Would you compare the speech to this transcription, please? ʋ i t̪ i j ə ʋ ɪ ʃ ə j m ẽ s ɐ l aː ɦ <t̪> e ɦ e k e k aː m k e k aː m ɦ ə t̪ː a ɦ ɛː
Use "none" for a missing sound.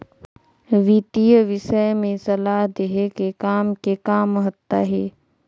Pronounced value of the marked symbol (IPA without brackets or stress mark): d̪